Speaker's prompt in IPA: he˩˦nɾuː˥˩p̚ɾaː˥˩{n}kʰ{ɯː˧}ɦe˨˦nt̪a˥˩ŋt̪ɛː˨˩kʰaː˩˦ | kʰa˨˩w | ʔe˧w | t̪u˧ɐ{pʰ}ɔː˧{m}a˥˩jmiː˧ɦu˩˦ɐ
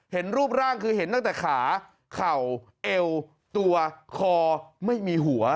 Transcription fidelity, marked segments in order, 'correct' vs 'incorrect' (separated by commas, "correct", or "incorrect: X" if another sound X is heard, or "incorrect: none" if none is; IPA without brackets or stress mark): incorrect: ŋ, correct, incorrect: kʰ, correct